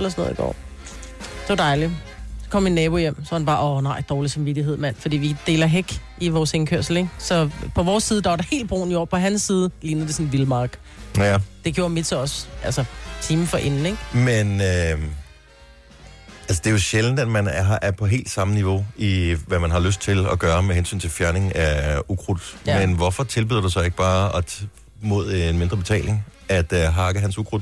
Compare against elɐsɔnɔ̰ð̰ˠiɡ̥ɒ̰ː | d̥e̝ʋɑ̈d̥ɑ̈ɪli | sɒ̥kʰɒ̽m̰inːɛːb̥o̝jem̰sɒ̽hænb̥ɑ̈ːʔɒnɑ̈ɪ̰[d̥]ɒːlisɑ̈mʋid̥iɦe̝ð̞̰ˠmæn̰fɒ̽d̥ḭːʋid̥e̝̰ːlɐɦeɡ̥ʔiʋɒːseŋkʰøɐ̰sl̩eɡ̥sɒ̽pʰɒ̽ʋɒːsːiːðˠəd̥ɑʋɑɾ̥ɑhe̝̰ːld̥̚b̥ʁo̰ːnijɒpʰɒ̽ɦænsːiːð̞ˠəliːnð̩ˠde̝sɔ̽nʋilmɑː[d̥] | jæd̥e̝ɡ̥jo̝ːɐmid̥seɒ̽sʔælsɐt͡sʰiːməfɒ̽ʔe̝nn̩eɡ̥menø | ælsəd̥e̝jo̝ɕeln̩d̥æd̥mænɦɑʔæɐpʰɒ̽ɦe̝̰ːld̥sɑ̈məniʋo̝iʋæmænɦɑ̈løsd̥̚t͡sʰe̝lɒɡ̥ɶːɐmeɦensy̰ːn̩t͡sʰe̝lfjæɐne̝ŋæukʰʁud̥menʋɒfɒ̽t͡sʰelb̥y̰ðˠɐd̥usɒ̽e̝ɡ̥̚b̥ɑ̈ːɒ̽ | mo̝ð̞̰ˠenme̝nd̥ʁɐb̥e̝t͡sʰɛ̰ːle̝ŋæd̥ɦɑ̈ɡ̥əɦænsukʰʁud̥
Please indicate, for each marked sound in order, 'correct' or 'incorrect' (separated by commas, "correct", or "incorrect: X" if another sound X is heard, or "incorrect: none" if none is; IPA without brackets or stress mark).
correct, incorrect: ɡ̥